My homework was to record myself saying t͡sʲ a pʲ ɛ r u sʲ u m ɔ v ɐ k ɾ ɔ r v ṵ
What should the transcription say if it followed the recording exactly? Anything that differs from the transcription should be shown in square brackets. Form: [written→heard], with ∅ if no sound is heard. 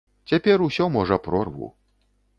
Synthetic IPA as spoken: t͡sʲ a pʲ ɛ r u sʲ [u→ɔ] m ɔ [v→ʐ] ɐ [k→p] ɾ ɔ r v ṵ